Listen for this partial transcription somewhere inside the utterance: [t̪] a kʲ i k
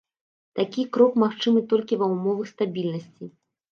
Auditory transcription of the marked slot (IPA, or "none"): t̪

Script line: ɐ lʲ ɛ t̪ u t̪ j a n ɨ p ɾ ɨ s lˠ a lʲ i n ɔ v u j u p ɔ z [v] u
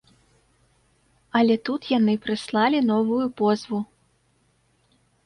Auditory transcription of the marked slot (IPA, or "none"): v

